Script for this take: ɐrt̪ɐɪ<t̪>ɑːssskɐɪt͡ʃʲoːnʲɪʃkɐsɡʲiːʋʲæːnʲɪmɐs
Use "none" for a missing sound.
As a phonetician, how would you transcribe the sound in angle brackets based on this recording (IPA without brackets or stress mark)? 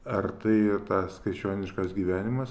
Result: t̪